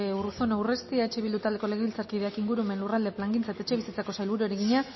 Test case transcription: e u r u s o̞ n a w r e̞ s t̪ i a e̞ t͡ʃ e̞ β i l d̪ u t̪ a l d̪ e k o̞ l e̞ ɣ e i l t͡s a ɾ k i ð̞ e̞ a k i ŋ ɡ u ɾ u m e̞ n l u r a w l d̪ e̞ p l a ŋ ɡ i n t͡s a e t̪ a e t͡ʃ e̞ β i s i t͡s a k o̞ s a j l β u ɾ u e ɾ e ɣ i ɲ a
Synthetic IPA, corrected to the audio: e u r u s o̞ n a w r e̞ s t̪ i a e̞ t͡ʃ e̞ β i l d̪ u t̪ a l d̪ e k o̞ l e̞ ɣ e i l t͡s a ɾ k i ð̞ e̞ a k i ŋ ɡ u ɾ u m e̞ n l u r a l d̪ e̞ p l a ŋ ɡ i n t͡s a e t̪ a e t͡ʃ e̞ β i s i t͡s a k o̞ s a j l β u ɾ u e ɾ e ɣ i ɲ a